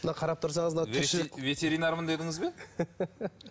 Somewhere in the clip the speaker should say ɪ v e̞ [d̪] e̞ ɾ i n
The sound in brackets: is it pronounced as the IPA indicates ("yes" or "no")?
no